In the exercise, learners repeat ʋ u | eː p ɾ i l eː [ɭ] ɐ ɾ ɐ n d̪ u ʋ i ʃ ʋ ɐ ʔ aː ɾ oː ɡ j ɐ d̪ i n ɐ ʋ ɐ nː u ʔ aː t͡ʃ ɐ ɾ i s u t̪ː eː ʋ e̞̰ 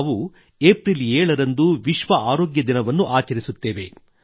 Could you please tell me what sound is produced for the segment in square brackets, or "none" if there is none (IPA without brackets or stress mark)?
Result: ɭ